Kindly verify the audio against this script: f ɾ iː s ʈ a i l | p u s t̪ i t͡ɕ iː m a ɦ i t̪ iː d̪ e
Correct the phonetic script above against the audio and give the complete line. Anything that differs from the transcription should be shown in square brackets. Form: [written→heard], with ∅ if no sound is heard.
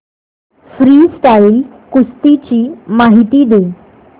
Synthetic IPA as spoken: f ɾ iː s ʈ a i l | [p→k] u s t̪ i t͡ɕ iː m a ɦ i t̪ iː d̪ e